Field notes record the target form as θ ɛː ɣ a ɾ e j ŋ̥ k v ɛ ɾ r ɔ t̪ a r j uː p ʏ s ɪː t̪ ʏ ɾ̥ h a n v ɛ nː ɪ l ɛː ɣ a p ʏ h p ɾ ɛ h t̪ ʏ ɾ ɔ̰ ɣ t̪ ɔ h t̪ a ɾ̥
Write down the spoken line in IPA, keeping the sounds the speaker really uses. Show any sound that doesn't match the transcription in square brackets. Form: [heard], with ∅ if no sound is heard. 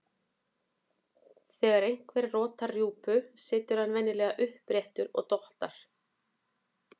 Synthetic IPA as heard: θ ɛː ɣ a ɾ e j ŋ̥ k v ɛ ɾ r [ɔː] t̪ a r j uː p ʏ s ɪː t̪ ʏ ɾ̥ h a n v ɛ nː ɪ l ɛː ɣ a [ʔ] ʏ h p ɾ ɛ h t̪ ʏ ɾ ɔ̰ ɣ t̪ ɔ h t̪ a ɾ̥